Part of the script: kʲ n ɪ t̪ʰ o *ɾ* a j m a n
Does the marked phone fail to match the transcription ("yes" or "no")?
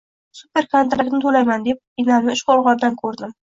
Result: yes